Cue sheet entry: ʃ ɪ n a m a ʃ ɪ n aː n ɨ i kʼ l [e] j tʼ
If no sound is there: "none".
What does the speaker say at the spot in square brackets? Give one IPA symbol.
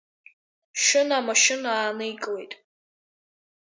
e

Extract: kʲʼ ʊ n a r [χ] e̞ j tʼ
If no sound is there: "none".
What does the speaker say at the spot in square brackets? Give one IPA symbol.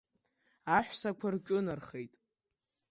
χ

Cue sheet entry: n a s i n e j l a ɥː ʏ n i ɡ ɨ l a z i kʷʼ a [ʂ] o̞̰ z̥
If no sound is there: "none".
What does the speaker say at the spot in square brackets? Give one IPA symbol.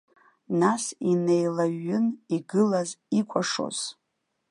ʂ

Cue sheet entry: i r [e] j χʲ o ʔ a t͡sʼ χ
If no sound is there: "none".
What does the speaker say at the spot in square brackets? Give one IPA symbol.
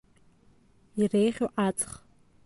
e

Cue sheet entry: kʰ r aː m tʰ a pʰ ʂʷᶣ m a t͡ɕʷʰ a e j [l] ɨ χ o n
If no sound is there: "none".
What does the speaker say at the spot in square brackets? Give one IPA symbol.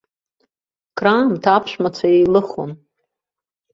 l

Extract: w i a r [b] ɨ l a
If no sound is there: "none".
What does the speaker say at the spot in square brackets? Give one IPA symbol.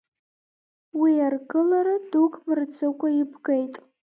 ɡ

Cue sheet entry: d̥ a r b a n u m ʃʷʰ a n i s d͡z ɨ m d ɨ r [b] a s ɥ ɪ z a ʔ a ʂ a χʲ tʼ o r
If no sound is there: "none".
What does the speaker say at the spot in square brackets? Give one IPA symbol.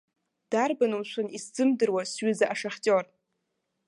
w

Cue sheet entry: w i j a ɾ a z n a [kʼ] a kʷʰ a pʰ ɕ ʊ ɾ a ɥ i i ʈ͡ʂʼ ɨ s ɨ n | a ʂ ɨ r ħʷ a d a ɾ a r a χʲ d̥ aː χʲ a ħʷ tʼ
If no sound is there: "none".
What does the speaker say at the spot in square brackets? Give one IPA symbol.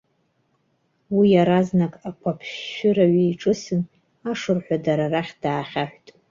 kʼ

